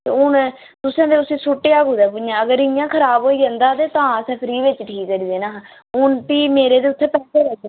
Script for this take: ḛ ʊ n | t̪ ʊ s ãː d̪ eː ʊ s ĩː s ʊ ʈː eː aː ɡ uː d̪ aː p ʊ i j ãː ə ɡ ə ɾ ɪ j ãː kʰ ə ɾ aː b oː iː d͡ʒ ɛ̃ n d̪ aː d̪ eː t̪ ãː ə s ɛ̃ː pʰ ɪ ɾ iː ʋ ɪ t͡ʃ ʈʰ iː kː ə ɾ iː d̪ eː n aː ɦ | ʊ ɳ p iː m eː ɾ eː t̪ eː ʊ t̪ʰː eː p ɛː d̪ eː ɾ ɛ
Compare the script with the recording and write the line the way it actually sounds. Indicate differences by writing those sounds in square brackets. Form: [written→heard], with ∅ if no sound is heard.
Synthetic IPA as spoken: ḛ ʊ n | t̪ ʊ s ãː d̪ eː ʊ s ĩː s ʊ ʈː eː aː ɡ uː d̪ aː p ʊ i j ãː ə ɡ ə ɾ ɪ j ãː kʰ ə ɾ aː b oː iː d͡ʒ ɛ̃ n d̪ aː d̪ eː t̪ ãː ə s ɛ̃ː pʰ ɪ ɾ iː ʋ ɪ t͡ʃ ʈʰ iː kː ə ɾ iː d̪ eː n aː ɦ | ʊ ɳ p iː m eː ɾ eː [t̪→d̪] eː ʊ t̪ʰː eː p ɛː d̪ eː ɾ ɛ